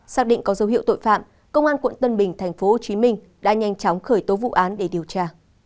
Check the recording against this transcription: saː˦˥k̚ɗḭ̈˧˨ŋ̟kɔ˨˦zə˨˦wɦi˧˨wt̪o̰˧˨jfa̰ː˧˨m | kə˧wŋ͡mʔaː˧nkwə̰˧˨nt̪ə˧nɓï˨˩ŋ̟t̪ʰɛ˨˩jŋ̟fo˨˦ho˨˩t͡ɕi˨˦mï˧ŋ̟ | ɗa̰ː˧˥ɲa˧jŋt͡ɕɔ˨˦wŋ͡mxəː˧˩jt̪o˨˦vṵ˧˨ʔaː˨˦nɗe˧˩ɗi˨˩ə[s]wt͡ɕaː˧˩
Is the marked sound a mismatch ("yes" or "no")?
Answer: yes